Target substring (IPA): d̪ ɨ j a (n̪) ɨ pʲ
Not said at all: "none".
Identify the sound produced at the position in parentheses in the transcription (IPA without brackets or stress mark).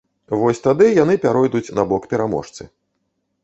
n̪